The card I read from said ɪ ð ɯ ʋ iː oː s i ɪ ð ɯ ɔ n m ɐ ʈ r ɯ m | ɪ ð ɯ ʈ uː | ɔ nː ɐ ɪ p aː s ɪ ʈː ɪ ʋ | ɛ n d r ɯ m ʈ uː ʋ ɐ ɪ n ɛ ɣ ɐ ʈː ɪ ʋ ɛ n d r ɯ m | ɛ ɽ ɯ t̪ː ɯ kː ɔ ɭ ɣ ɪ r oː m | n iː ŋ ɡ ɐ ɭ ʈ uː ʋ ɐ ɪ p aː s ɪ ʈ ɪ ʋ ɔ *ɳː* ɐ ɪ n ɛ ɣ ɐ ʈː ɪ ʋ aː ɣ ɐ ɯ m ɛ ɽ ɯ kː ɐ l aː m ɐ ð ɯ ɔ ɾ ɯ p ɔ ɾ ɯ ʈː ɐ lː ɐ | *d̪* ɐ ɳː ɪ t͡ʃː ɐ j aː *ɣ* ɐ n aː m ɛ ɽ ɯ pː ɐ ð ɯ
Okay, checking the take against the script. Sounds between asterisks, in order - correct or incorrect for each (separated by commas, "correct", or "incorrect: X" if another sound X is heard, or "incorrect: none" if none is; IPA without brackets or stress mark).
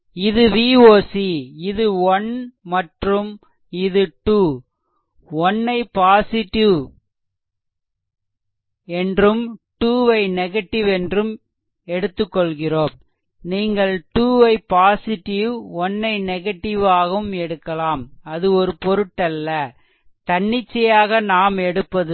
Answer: incorrect: nː, incorrect: t̪, correct